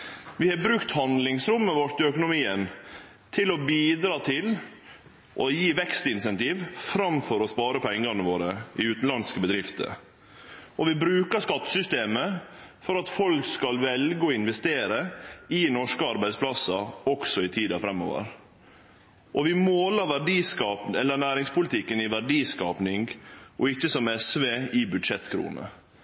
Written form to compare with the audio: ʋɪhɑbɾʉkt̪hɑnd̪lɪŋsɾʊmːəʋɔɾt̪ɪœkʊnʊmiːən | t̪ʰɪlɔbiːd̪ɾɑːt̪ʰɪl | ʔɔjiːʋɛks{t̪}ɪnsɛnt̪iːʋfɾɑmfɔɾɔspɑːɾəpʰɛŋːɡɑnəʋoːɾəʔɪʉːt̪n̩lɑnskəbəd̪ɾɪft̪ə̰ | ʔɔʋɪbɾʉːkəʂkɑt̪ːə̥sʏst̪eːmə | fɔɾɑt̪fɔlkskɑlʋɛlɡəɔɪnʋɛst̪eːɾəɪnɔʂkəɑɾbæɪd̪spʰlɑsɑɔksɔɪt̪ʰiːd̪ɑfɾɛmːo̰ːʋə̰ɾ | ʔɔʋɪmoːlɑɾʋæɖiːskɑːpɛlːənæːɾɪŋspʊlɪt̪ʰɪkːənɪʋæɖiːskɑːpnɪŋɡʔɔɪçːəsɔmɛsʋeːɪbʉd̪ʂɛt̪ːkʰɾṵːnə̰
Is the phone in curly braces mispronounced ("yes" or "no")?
no